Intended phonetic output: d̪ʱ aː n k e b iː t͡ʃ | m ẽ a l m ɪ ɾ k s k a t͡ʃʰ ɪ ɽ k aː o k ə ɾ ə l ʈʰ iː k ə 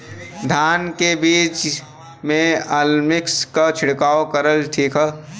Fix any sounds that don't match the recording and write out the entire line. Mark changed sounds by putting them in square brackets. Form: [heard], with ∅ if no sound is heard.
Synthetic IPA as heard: d̪ʱ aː n k e b iː t͡ʃ | m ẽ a l m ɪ [∅] k s k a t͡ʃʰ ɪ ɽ k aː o k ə ɾ ə l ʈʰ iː k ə